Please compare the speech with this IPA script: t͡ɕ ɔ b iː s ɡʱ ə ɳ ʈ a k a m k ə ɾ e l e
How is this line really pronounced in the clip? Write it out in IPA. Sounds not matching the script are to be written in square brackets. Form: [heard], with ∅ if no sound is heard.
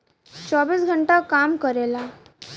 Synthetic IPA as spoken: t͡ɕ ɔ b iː s ɡʱ ə ɳ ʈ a k a m k ə ɾ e l [a]